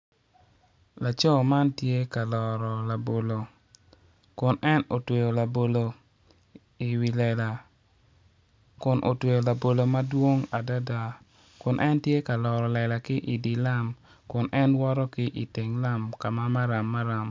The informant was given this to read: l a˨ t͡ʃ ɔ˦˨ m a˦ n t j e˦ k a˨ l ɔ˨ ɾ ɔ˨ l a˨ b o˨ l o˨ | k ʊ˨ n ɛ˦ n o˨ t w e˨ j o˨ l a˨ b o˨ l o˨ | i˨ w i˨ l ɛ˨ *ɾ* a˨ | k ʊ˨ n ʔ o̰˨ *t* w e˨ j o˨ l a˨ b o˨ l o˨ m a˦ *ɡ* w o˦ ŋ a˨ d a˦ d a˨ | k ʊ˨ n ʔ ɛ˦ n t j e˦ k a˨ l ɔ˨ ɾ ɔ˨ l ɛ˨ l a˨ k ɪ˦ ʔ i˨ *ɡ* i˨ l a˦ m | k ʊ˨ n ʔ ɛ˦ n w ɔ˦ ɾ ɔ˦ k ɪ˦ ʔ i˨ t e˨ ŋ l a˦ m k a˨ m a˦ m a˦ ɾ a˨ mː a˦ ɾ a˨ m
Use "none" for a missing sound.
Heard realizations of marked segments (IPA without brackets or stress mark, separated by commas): l, t, d, d